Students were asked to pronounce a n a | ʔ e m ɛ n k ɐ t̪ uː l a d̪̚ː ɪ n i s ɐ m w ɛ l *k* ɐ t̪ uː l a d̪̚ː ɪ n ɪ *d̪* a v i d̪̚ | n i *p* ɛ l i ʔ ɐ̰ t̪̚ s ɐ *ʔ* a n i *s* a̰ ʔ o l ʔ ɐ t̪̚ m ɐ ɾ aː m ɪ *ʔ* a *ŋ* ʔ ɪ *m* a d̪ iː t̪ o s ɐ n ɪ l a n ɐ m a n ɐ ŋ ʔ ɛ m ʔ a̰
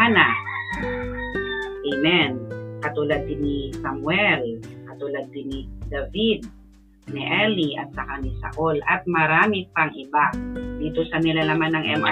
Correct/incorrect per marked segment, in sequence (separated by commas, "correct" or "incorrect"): correct, correct, incorrect, incorrect, correct, incorrect, correct, incorrect